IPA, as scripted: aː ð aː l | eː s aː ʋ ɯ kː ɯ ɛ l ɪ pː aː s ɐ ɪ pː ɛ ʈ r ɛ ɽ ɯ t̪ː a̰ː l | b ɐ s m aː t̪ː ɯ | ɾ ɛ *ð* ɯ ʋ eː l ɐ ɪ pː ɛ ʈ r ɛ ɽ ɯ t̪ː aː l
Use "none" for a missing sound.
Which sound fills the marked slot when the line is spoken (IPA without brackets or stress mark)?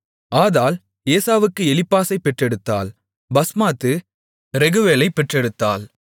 ɣ